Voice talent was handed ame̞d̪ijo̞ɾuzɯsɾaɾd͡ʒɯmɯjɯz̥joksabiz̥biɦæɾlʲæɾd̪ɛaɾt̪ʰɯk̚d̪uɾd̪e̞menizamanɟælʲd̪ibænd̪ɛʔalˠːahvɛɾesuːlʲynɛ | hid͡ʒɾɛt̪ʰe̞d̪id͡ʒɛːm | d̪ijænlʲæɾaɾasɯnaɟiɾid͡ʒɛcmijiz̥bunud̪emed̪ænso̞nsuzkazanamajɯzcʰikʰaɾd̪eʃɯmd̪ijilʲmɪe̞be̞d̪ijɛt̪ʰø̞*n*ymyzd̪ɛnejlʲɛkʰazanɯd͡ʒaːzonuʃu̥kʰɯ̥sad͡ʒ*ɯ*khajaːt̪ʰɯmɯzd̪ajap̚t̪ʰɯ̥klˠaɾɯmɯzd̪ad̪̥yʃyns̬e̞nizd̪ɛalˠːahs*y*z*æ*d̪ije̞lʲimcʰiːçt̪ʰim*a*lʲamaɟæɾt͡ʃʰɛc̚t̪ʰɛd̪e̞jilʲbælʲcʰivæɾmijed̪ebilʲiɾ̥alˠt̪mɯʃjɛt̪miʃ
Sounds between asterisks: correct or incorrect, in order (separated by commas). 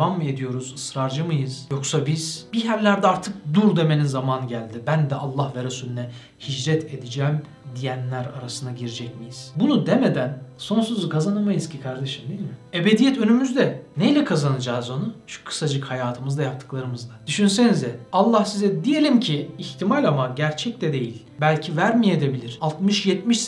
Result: correct, correct, incorrect, incorrect, correct